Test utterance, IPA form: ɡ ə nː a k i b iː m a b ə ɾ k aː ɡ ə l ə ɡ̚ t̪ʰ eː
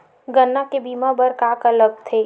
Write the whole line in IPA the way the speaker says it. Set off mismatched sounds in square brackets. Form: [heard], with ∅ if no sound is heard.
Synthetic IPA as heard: ɡ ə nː a k [e] b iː m a b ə ɾ k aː [k] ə l ə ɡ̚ t̪ʰ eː

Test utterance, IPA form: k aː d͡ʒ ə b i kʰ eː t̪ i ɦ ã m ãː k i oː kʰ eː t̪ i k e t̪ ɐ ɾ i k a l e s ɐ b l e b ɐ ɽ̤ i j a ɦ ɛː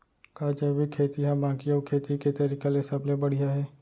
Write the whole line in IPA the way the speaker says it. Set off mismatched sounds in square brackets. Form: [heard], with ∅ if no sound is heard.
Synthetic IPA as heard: k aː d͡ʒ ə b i kʰ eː t̪ i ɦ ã [b] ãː k i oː kʰ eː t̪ i k e t̪ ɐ ɾ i k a l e s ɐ b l e b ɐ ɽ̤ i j a ɦ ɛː

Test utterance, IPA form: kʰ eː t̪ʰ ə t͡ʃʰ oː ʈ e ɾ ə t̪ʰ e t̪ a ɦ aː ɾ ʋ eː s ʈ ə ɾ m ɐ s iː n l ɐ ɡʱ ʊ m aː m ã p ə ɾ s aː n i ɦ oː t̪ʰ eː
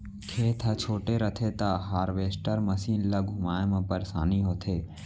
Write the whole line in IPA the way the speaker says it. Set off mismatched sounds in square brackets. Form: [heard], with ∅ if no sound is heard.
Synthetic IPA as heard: kʰ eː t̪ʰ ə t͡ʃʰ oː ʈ e ɾ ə t̪ʰ e t̪ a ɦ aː ɾ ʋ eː s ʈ ə ɾ m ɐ s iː n l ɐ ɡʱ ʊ m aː m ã p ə ɾ s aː n i ɦ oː t̪ʰ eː

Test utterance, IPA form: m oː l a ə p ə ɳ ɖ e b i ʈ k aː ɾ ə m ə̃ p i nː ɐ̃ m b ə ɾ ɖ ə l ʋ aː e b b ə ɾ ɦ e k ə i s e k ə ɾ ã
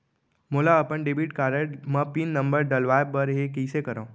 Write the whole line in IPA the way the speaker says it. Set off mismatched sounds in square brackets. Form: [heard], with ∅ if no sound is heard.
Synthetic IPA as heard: m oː l a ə p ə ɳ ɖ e b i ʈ k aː ɾ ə m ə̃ p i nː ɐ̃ m b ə ɾ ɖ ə l ʋ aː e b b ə ɾ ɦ e k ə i s e k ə ɾ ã

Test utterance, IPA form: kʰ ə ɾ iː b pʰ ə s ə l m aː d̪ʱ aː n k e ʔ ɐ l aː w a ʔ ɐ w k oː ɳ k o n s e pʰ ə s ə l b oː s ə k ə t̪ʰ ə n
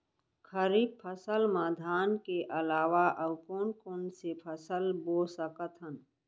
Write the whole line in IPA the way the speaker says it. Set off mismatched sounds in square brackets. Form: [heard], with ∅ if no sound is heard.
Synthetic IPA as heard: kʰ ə ɾ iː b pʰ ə s ə l m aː d̪ʱ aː n k e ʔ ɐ l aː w a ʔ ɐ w k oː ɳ k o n s e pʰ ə s ə l b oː s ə k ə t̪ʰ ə n

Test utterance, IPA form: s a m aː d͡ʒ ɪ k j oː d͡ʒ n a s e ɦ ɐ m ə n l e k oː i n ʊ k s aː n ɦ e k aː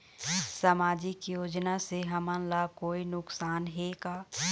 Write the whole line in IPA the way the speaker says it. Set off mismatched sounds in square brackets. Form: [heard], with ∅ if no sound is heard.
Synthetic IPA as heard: s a m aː d͡ʒ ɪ k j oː d͡ʒ n a s e ɦ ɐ m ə n l [a] k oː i n ʊ k s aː n ɦ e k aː

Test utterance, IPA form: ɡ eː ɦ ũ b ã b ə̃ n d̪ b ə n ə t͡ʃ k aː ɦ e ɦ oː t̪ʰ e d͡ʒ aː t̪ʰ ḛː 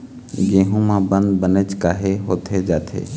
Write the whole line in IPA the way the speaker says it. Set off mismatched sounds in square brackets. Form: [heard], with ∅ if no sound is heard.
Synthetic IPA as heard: ɡ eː ɦ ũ [m] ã b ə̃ n d̪ b ə n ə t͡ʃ k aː ɦ e ɦ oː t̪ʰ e d͡ʒ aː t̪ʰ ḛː

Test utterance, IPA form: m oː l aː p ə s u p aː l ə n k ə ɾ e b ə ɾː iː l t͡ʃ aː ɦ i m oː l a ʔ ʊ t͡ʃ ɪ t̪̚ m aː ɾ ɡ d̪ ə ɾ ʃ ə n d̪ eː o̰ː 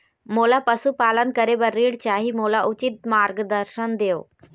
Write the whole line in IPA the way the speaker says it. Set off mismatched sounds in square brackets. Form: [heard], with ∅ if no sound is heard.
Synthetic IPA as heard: m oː l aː p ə s u p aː l ə n k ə ɾ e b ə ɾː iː [ɽ] t͡ʃ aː ɦ i m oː l a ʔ ʊ t͡ʃ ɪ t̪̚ m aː ɾ ɡ d̪ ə ɾ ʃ ə n d̪ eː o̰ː

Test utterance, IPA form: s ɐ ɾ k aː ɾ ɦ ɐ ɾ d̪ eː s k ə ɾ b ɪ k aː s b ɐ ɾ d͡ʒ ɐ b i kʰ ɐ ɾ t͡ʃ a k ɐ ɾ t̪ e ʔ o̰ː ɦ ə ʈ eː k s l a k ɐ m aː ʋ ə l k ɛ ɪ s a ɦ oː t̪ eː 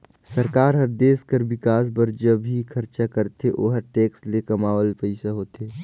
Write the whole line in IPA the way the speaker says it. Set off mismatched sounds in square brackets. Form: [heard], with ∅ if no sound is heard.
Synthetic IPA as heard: s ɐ ɾ k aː ɾ ɦ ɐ ɾ d̪ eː s k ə ɾ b ɪ k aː s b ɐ ɾ d͡ʒ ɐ b i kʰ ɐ ɾ t͡ʃ a k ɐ ɾ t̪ e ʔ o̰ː ɦ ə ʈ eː k s l [e] k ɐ m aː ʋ ə l [p] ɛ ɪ s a ɦ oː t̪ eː

